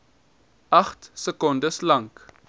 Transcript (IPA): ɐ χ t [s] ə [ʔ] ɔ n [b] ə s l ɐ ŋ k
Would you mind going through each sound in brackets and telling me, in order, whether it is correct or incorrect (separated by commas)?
correct, incorrect, incorrect